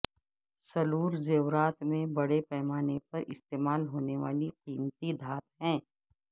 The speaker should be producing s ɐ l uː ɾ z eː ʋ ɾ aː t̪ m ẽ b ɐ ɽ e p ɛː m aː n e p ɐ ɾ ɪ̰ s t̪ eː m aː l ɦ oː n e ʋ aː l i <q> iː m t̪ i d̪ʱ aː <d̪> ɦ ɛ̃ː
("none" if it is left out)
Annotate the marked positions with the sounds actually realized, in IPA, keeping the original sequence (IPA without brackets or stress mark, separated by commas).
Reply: q, t̪